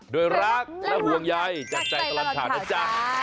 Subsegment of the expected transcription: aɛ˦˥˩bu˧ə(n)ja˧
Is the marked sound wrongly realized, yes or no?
yes